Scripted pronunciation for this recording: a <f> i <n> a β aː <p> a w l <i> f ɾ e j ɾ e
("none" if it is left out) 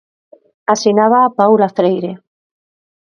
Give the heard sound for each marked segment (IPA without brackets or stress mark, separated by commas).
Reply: s, n, p, a